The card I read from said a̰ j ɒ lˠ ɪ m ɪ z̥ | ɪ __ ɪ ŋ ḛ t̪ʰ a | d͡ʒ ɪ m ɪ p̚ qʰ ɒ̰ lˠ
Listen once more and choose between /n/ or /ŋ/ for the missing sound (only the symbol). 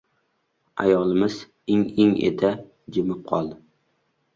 ŋ